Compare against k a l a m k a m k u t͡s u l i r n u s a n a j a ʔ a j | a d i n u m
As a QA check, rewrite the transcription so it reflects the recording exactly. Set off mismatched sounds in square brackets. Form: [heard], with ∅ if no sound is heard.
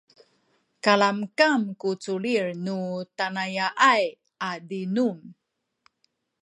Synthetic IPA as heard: k a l a m k a m k u t͡s u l i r n u [t] a n a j a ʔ a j | a d i n u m